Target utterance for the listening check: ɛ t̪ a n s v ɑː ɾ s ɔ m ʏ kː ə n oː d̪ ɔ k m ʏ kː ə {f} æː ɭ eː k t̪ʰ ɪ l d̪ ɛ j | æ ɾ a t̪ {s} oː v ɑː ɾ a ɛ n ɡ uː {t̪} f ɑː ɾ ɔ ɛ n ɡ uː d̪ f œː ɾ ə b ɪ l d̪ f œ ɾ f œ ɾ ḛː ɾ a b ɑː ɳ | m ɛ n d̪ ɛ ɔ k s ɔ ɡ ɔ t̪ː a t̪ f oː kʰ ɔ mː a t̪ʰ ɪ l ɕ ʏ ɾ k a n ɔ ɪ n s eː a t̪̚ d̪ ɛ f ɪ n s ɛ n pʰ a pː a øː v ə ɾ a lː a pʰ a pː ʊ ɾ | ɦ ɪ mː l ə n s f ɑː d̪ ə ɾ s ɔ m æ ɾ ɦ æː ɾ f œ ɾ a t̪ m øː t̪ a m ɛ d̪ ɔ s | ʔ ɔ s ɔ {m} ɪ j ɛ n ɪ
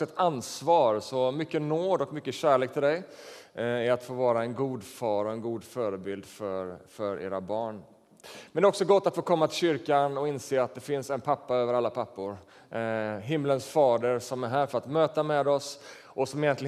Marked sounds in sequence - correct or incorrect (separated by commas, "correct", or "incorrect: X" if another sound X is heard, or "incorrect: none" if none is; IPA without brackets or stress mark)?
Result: incorrect: ɕ, incorrect: f, incorrect: d̪, correct